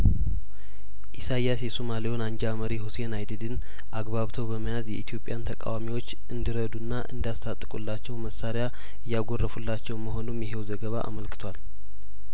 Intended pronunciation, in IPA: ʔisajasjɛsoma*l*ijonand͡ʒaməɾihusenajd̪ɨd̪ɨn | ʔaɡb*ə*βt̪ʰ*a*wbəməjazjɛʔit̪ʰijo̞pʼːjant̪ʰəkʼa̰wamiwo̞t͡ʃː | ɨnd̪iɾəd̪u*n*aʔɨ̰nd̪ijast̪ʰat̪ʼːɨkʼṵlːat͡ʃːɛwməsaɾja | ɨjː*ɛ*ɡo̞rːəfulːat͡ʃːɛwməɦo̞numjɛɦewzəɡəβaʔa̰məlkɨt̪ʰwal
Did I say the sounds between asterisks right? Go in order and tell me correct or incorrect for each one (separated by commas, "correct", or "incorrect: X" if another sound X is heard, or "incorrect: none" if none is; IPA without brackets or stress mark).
correct, incorrect: a, incorrect: ə, incorrect: nː, incorrect: a